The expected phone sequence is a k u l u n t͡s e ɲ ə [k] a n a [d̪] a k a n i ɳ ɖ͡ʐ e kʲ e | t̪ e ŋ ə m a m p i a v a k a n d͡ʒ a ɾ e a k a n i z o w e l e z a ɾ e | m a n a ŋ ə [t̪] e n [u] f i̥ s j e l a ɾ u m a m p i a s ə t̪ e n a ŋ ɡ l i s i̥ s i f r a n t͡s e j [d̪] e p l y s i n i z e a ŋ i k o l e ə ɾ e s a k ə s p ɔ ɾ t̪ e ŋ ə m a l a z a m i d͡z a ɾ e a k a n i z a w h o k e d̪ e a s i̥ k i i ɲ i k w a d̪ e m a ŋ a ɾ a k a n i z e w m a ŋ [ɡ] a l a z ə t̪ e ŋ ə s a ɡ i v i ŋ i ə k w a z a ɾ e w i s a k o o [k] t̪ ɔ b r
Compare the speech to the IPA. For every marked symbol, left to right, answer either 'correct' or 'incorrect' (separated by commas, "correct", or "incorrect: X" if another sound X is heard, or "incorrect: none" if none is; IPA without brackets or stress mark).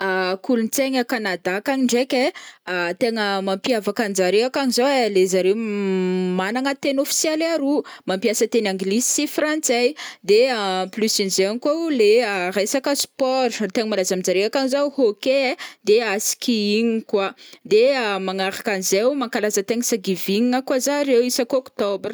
correct, correct, correct, incorrect: o, correct, incorrect: k, correct